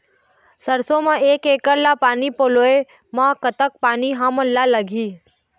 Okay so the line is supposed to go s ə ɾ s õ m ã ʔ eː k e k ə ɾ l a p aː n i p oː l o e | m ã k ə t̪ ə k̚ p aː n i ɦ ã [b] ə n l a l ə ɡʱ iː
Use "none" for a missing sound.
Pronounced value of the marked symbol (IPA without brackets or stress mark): m